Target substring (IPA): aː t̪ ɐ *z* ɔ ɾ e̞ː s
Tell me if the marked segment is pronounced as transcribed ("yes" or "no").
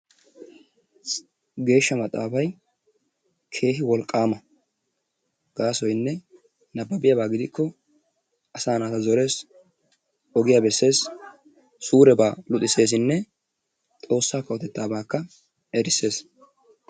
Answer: yes